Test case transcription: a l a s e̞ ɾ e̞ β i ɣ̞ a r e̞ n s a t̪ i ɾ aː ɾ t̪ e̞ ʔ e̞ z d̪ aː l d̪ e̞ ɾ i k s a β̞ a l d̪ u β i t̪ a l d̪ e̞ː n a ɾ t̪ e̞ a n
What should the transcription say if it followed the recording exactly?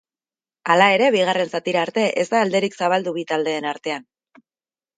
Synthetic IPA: a l a e̞ ɾ e̞ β i ɣ̞ a r e̞ n s a t̪ i ɾ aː ɾ t̪ e̞ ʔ e̞ z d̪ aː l d̪ e̞ ɾ i k s a β̞ a l d̪ u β i t̪ a l d̪ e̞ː n a ɾ t̪ e̞ a n